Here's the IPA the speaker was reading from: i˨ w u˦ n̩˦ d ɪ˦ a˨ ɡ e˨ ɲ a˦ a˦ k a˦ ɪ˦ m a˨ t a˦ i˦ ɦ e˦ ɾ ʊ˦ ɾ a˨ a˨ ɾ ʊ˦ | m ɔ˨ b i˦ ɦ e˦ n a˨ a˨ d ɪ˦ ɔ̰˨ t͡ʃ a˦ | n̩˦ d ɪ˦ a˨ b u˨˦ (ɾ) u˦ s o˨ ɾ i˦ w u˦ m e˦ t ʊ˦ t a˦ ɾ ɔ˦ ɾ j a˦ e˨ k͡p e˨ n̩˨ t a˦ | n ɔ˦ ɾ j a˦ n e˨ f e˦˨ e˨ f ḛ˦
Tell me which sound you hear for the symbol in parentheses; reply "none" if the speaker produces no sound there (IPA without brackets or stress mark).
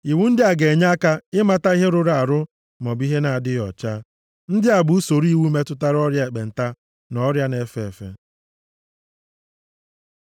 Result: none